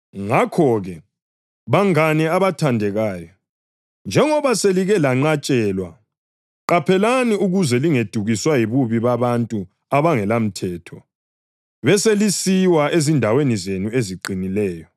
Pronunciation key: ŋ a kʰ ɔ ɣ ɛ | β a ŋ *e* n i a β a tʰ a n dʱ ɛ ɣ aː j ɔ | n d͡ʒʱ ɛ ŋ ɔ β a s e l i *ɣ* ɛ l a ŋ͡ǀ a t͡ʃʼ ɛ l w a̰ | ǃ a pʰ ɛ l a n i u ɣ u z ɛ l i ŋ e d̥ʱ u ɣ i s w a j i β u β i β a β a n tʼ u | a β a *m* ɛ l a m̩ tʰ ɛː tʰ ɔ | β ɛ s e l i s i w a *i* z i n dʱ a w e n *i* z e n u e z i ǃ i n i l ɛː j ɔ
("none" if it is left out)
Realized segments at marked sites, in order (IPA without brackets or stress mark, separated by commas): a, ɣ, ŋ, e, i